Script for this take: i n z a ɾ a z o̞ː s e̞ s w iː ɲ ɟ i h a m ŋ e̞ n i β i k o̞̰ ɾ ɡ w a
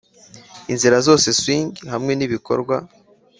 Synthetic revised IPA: i n z i ɾ a z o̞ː s e̞ s w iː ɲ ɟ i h a m ŋ e̞ n i β i k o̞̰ ɾ ɡ w a